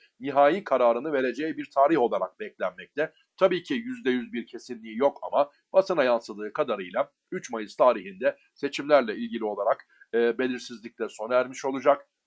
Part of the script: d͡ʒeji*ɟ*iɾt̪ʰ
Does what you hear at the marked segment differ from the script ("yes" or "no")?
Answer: yes